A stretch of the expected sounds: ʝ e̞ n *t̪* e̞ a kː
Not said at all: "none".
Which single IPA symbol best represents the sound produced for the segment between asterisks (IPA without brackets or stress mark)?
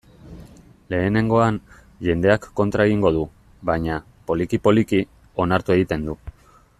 d̪